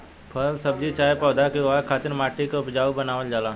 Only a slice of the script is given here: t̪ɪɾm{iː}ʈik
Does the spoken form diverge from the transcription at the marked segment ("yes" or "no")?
yes